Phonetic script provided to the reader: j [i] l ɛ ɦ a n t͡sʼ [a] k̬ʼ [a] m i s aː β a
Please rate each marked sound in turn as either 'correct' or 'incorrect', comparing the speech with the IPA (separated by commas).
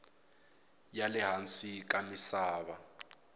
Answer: incorrect, incorrect, correct